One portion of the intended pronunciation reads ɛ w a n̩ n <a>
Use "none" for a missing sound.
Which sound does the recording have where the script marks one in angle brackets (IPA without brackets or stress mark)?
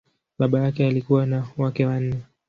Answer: ɛ